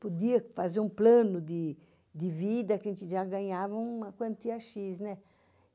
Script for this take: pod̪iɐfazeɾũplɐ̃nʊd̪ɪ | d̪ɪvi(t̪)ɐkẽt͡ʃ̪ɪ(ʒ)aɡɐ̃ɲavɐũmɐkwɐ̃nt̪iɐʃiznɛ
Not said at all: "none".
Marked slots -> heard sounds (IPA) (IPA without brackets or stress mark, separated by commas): d̪, ʒ